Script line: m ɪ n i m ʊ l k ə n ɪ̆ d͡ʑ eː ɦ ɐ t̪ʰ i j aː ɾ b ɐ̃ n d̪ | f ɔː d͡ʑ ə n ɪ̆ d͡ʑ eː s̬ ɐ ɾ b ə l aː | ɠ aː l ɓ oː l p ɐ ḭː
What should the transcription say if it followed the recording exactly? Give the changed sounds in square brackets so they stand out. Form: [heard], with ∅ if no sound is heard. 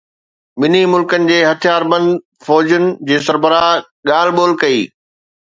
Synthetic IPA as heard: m ɪ n i m ʊ l k ə n ɪ̆ d͡ʑ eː ɦ ɐ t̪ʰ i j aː ɾ b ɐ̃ n d̪ | f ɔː d͡ʑ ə n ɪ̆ d͡ʑ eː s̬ ɐ ɾ b ə [ɾ] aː | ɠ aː l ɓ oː l [k] ɐ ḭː